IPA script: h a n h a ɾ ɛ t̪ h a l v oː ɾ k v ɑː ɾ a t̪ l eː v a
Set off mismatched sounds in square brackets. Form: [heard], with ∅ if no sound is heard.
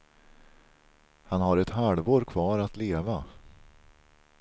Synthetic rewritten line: h a n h a ɾ ɛ t̪ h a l v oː ɾ [kʰ] v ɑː ɾ a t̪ l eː v a